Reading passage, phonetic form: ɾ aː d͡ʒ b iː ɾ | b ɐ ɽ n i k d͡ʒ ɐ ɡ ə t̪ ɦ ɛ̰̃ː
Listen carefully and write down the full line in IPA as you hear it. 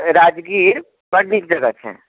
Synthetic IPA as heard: ɾ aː d͡ʒ ɡ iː ɾ | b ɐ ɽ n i k d͡ʒ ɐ ɡ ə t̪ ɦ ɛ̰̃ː